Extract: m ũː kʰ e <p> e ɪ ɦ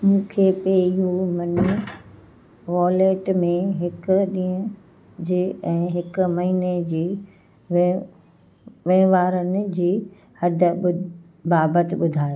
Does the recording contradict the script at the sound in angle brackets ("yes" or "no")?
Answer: no